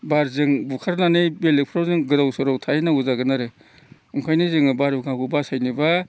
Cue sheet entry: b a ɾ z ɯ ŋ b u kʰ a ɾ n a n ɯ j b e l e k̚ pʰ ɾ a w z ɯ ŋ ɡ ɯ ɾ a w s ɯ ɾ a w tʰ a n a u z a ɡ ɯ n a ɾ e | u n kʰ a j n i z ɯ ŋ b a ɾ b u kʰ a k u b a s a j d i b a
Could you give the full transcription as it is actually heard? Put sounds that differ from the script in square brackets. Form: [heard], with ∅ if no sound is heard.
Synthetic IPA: b a ɾ z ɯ ŋ b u kʰ a ɾ n a n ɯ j b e l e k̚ pʰ ɾ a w z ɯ ŋ ɡ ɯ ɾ a w s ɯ ɾ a w tʰ a n a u z a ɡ ɯ n a ɾ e | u [ŋ] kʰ a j n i z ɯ ŋ b a ɾ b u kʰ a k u b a s a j [n] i b a